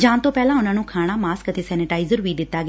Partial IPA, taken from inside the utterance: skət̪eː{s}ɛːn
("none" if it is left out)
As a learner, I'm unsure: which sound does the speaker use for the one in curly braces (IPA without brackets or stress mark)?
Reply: s